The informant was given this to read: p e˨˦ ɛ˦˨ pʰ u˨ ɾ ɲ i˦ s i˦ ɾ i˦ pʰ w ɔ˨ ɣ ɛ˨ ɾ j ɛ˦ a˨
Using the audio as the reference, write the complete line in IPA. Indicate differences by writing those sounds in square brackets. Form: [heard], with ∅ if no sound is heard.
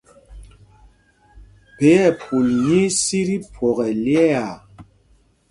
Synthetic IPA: p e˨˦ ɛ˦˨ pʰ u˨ [l] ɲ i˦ s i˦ ɾ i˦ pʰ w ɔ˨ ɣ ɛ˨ [l] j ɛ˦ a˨